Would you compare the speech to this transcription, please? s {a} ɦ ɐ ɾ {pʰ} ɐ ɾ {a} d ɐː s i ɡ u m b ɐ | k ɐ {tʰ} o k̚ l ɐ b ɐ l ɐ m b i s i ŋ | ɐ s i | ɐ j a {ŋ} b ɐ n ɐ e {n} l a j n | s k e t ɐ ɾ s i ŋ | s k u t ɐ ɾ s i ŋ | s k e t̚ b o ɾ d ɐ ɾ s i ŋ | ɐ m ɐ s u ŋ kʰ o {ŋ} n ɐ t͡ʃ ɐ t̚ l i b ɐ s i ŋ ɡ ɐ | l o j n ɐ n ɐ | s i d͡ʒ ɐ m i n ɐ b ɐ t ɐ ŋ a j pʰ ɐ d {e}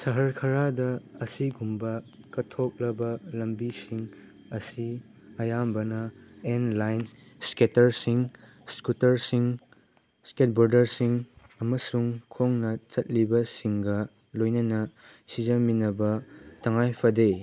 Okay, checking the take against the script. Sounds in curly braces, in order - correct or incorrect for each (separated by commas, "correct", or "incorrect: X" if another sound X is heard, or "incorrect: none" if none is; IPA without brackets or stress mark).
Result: incorrect: ɐ, incorrect: kʰ, correct, correct, incorrect: m, correct, correct, correct